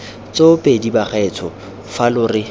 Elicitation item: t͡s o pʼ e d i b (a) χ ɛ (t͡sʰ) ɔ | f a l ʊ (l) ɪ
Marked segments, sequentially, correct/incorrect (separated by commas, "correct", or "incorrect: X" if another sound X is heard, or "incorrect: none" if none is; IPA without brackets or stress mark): correct, correct, incorrect: r